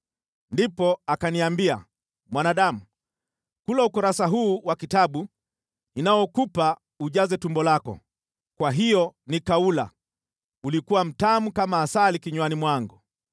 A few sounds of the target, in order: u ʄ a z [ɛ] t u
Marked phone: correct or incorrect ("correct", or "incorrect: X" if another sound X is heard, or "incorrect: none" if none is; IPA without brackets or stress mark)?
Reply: correct